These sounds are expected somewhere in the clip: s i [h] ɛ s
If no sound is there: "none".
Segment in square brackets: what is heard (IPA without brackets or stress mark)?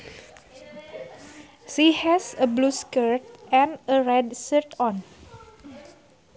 h